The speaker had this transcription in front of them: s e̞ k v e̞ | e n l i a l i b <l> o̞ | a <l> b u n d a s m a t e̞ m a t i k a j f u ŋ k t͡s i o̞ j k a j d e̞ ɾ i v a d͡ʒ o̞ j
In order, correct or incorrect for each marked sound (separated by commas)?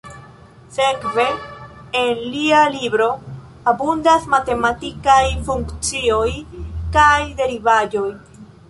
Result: incorrect, incorrect